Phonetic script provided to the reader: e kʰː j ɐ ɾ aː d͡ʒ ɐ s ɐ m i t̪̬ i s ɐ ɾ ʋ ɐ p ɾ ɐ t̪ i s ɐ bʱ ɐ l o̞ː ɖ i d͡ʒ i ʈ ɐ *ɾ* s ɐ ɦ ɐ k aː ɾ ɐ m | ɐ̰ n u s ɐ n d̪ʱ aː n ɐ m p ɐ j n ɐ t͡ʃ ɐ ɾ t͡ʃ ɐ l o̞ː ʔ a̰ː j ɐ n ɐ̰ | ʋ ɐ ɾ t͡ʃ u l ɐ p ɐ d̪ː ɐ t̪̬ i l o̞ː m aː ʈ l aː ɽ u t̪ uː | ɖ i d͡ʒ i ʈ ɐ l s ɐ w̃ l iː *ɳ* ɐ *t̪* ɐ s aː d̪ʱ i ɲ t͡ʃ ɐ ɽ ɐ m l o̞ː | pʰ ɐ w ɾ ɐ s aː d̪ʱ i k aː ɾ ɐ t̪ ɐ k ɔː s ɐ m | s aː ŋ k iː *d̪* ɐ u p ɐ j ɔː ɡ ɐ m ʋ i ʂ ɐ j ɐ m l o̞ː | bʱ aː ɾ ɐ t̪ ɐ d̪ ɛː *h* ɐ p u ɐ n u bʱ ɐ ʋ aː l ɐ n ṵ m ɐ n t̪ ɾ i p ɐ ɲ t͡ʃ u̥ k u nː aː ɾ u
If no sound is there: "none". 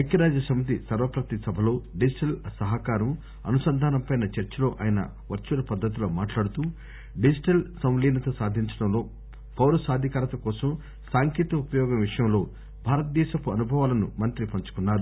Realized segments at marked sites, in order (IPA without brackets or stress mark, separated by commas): l, n, t̪, t̪, ʃ